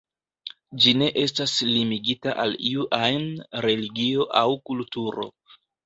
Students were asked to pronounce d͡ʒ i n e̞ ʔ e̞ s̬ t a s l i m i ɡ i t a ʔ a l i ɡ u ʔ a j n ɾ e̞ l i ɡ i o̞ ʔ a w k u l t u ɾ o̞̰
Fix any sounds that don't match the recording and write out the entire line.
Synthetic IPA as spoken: d͡ʒ i n e̞ ʔ e̞ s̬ t a s l i m i ɡ i t a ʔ a l i u ʔ a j n ɾ e̞ l i ɡ i o̞ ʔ a w k u l t u ɾ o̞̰